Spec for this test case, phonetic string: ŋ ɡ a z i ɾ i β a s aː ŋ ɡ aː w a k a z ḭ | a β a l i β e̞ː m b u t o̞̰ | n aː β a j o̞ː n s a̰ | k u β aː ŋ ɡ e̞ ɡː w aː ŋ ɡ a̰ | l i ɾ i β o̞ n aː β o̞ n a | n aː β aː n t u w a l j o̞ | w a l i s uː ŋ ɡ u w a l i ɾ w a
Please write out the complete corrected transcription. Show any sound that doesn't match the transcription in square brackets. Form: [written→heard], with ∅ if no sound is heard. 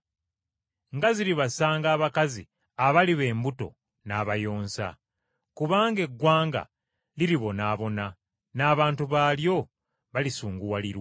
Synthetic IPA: ŋ ɡ a z i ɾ i β a s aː ŋ ɡ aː [w→β] a k a z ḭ | a β a l i β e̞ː m b u t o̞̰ | n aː β a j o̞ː n s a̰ | k u β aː ŋ ɡ e̞ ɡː w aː ŋ ɡ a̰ | l i ɾ i β o̞ n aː β o̞ n a | n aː β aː n t u [w→β] a l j o̞ | [w→β] a l i s uː ŋ ɡ u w a l i ɾ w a